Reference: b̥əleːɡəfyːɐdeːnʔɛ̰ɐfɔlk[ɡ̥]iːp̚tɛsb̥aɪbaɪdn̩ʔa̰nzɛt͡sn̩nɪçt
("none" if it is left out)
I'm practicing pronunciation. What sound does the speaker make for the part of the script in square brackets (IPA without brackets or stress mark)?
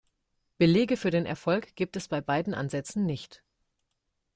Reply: ɡ̥